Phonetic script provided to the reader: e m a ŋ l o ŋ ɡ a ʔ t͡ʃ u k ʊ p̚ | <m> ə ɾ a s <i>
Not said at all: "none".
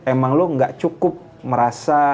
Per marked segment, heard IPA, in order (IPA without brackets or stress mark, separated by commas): m, a